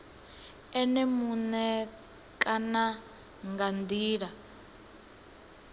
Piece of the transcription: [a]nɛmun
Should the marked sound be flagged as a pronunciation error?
yes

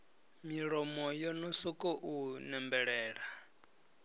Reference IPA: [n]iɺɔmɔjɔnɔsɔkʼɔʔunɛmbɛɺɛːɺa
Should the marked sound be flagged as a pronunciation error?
yes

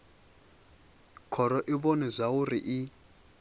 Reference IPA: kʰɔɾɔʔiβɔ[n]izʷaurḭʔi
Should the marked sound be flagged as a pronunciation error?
no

